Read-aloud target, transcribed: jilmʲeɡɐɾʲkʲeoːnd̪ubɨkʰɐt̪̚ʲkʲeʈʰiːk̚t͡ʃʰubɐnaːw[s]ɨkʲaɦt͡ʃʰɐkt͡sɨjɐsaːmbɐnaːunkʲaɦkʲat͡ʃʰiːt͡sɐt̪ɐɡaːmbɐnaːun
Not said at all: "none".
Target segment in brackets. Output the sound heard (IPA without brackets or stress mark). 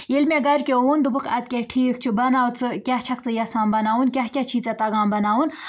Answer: t͡s